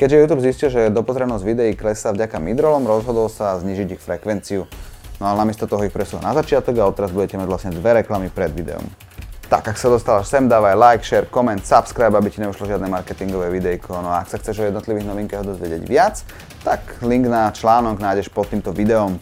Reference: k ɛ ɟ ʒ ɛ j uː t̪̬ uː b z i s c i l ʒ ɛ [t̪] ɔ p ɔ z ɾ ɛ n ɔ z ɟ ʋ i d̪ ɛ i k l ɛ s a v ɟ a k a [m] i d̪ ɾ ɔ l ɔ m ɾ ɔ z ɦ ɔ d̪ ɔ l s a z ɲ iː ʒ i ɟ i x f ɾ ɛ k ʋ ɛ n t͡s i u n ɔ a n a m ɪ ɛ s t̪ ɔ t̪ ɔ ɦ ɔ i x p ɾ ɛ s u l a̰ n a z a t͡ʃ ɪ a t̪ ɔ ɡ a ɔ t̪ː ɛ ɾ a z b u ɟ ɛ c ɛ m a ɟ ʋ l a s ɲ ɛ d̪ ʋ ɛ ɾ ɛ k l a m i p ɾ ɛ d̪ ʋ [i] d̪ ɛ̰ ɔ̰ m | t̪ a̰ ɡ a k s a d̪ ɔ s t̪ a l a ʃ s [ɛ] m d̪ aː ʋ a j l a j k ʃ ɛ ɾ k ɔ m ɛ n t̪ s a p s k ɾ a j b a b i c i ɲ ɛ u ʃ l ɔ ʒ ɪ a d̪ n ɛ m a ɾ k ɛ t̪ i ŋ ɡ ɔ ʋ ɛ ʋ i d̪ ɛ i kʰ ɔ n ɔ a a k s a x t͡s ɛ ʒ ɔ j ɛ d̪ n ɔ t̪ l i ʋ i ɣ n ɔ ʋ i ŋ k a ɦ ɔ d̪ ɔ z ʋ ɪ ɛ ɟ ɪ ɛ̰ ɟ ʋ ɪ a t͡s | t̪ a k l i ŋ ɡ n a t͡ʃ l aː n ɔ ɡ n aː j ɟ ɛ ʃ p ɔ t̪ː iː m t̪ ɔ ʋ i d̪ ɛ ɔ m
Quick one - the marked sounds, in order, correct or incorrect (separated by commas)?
incorrect, correct, correct, correct